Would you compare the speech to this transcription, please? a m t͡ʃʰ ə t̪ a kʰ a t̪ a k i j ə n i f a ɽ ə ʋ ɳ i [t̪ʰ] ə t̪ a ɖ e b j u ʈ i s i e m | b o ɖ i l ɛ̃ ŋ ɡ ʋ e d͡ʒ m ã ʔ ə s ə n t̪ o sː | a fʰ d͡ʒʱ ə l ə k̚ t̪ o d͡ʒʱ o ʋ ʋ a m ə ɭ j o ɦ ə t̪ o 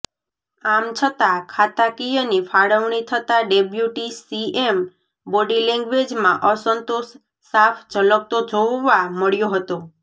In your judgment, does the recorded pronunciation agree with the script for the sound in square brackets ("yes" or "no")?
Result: yes